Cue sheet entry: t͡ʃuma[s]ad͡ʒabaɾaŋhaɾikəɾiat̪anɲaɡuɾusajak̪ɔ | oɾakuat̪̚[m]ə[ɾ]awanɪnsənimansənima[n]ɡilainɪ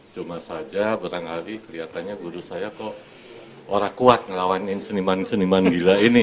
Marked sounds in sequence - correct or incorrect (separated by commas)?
correct, incorrect, incorrect, correct